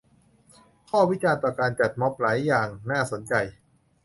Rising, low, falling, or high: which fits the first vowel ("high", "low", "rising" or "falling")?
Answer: falling